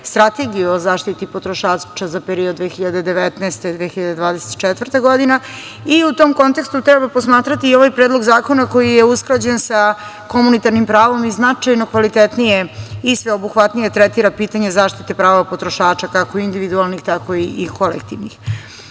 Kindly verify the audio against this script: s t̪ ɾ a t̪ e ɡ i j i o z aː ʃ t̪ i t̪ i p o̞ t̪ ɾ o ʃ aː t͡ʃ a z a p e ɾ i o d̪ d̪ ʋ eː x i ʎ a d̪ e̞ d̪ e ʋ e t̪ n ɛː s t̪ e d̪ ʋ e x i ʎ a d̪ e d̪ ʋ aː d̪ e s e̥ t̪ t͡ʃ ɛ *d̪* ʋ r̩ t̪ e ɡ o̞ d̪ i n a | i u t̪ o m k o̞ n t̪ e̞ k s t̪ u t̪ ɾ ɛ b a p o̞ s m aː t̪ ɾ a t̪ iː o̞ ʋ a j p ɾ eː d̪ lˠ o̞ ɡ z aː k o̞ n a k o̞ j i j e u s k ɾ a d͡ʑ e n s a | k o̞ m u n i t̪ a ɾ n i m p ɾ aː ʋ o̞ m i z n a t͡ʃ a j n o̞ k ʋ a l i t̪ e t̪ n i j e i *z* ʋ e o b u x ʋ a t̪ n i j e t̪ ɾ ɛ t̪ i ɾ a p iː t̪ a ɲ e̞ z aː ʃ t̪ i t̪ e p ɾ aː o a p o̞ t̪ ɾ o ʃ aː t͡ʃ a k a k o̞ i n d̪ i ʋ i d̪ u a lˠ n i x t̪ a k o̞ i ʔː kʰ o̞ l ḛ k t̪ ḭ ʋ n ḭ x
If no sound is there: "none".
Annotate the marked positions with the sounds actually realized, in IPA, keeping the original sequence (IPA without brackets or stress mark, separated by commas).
t̪, s